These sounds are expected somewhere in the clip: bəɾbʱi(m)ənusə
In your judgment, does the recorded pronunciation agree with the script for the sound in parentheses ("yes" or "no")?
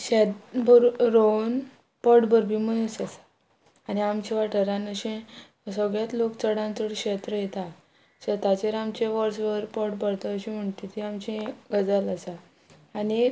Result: yes